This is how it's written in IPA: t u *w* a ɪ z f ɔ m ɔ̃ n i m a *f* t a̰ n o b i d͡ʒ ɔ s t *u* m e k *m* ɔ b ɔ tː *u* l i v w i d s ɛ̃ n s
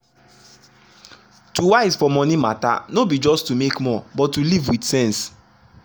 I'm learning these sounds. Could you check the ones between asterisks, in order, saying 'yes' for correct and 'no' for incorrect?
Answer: yes, no, yes, yes, yes

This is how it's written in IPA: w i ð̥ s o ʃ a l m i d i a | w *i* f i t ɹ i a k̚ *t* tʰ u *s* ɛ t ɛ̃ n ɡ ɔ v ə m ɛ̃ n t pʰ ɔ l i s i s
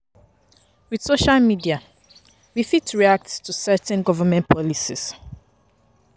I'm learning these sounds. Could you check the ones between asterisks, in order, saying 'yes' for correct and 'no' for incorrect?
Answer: yes, yes, yes

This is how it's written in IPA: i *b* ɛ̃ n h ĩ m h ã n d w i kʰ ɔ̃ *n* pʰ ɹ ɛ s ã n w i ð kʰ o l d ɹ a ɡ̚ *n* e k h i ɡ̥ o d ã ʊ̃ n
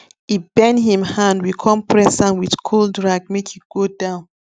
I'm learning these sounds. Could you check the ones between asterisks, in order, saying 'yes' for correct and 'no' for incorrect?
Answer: yes, no, no

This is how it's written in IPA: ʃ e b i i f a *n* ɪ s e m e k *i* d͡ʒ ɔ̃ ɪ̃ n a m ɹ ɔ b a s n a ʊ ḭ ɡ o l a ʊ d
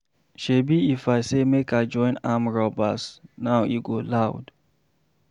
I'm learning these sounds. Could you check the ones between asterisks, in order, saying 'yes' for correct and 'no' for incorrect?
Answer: no, no

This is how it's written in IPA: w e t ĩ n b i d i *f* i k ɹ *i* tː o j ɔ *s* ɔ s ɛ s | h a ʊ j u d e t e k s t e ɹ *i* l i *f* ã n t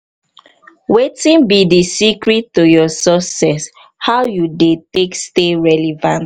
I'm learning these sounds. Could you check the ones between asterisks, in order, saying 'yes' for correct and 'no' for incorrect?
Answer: no, yes, yes, no, no

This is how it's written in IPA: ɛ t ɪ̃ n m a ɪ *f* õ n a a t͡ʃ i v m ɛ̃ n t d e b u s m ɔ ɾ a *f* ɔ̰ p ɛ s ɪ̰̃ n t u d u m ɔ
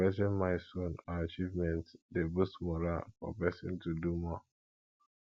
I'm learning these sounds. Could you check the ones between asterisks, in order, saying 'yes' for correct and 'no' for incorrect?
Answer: no, yes

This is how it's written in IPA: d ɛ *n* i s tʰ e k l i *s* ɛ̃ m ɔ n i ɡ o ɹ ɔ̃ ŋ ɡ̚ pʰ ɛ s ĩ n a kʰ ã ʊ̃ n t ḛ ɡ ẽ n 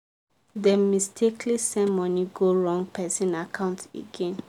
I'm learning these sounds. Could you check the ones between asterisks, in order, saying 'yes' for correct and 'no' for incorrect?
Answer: no, yes

